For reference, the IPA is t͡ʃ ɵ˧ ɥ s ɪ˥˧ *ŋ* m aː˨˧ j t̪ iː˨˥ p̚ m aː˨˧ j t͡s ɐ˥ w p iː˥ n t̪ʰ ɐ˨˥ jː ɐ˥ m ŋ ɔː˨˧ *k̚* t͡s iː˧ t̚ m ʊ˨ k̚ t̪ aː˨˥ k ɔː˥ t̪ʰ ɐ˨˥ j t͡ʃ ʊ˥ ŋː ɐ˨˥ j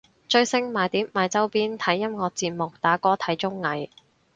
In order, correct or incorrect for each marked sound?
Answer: correct, correct

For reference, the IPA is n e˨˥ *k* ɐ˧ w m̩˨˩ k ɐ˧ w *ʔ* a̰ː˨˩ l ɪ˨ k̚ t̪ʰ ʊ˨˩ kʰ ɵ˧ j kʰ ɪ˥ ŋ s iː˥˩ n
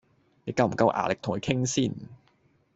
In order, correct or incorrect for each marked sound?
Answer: correct, correct

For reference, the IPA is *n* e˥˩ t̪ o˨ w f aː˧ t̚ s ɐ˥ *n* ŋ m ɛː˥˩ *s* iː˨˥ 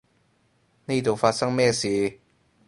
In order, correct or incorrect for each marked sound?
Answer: correct, incorrect: none, correct

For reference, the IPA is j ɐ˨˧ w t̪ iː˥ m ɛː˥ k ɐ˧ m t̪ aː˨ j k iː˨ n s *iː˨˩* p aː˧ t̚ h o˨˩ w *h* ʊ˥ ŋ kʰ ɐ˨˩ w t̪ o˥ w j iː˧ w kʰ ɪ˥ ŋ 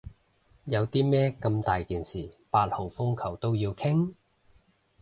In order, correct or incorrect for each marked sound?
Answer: correct, incorrect: f

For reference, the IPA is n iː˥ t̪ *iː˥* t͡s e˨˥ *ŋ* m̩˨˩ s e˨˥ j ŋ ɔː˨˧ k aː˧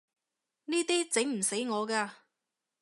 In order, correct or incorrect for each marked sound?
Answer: correct, correct

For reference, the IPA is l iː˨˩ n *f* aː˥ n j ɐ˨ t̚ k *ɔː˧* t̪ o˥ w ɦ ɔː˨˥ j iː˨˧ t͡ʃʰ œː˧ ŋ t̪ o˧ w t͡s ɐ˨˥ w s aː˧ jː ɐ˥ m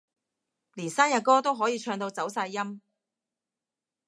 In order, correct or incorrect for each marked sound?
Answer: incorrect: s, incorrect: ɔː˥

